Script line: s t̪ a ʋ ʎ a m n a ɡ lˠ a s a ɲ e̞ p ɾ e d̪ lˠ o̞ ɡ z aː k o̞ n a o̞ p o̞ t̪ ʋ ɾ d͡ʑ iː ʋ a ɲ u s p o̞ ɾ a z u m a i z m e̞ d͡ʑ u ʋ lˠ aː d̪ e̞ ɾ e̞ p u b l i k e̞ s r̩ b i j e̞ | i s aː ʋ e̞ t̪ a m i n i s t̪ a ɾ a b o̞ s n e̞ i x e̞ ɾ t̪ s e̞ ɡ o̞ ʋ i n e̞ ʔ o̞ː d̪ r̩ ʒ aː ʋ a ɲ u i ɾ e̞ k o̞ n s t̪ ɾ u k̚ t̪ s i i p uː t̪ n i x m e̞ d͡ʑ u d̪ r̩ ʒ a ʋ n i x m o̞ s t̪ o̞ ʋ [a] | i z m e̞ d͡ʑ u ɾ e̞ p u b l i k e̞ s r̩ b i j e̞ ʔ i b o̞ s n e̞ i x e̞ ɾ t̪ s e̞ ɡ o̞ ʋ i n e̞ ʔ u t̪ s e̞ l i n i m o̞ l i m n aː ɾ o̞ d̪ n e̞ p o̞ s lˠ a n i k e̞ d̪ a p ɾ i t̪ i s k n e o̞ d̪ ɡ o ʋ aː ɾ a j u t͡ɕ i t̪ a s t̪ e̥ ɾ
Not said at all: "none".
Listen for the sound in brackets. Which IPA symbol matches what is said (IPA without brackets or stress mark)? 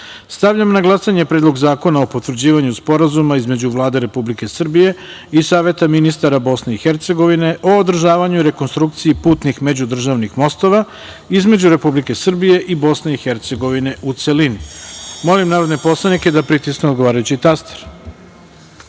a